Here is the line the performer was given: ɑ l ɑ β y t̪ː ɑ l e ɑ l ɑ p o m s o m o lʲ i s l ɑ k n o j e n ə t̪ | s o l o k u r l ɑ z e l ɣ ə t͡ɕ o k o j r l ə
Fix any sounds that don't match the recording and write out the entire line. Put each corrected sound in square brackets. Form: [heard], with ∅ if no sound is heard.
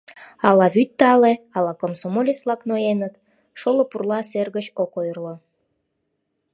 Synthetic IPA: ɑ l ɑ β y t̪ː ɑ l e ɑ l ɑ [k] o m s o m o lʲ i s l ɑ k n o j e n ə t̪ | [ʃ] o l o [p] u r l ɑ [s] e [r] ɣ ə t͡ɕ o k o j r l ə